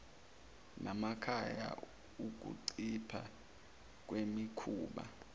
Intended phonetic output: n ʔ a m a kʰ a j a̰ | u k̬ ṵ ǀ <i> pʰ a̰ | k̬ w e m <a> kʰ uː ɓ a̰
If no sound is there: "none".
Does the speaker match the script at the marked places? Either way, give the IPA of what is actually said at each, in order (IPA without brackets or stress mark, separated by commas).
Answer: i, i